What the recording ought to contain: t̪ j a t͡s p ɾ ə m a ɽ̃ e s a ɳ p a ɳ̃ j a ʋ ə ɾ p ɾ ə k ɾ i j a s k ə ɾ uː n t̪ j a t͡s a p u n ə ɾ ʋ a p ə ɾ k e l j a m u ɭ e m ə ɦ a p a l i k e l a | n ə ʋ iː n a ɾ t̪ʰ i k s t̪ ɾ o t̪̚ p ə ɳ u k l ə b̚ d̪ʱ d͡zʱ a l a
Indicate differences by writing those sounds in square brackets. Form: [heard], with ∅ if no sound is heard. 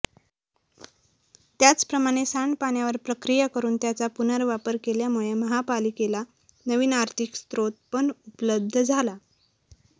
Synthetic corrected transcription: t̪ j a t͡s p ɾ ə m a ɽ̃ e s a ɳ p a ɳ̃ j a ʋ ə ɾ p ɾ ə k ɾ i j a [∅] k ə ɾ uː n t̪ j a t͡s a p u n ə ɾ ʋ a p ə ɾ k e l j a m u ɭ e m ə ɦ a p a l i k e l a | n ə ʋ iː n a ɾ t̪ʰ i k s t̪ ɾ o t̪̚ p ə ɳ u [p] l ə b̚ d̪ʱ d͡zʱ a l a